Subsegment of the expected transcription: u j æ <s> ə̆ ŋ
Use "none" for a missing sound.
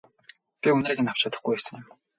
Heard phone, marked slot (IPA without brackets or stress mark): s